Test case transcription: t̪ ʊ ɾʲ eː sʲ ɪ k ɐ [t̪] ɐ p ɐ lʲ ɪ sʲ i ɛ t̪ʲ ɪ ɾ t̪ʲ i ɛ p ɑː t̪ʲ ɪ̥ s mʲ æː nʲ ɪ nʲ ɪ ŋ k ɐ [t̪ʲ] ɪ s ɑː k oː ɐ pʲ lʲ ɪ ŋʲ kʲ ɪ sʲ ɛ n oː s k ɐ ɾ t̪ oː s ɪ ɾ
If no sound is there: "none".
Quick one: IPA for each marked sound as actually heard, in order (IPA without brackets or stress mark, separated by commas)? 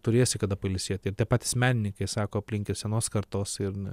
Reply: d̪, none